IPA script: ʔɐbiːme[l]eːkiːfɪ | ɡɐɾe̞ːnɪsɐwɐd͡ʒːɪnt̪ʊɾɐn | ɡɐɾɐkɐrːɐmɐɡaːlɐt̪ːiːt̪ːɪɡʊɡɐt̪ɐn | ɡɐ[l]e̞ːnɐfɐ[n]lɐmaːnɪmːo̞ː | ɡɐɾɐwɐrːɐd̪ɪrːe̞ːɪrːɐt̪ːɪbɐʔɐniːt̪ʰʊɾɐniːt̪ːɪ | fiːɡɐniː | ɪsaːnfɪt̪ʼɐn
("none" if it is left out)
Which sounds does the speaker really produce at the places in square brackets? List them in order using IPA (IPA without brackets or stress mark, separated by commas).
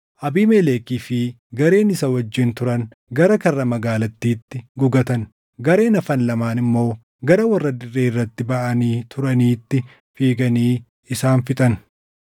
l, ɾ, n